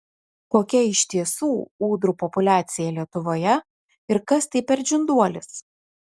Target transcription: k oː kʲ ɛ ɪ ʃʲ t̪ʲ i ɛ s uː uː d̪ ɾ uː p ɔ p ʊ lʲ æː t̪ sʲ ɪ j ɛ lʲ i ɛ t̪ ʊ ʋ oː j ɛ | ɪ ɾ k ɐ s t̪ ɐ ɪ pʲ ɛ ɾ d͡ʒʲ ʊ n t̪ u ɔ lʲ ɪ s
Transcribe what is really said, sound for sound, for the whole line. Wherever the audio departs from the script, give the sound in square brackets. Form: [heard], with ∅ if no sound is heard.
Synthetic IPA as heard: k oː kʲ ɛ ɪ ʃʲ t̪ʲ i ɛ s uː uː d̪ ɾ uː p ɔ p ʊ lʲ æː t̪ sʲ ɪ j ɛ lʲ i ɛ t̪ ʊ ʋ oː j ɛ | ɪ ɾ k ɐ s t̪ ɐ ɪ pʲ ɛ ɾ d͡ʒʲ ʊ n [d̪] u ɔ lʲ ɪ s